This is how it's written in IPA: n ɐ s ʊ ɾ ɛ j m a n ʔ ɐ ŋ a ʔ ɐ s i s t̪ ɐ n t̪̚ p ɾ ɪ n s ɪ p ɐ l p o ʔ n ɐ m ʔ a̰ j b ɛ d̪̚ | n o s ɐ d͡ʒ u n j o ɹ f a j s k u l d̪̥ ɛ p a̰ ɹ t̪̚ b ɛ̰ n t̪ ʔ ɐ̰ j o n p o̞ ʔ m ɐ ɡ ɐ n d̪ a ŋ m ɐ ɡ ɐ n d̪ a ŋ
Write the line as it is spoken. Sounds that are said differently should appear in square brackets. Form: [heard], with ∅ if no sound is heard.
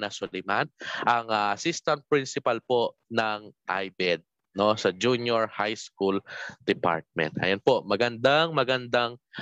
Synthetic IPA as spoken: n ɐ s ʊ [l] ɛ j m a n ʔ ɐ ŋ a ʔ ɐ s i s t̪ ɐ n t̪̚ p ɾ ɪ n s ɪ p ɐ l p o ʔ n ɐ [ŋ] ʔ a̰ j b ɛ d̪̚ | n o s ɐ d͡ʒ u n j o ɹ [h] a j s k u l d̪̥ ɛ p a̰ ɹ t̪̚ [m] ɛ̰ n t̪ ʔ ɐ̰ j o n p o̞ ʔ m ɐ ɡ ɐ n d̪ a ŋ m ɐ ɡ ɐ n d̪ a ŋ